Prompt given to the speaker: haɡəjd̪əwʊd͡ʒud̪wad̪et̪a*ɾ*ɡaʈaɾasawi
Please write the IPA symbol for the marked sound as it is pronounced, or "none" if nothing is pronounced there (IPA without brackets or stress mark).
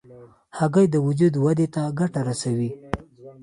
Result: none